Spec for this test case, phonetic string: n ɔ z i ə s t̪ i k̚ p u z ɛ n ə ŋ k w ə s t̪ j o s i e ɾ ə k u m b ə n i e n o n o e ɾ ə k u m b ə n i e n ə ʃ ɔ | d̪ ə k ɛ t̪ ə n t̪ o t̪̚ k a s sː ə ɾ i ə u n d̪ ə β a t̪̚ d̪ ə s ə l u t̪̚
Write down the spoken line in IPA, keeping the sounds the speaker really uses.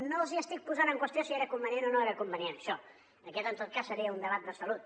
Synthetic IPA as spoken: n o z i ə s t̪ i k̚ p u z a n ə ŋ k w ə s t̪ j o s i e ɾ ə k u m b ə n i e n o n o e ɾ ə k u m b ə n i e n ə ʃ ɔ | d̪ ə k ɛ t̪ ə n t̪ o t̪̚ k a s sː ə ɾ i ə u n d̪ ə β a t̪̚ d̪ ə s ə l u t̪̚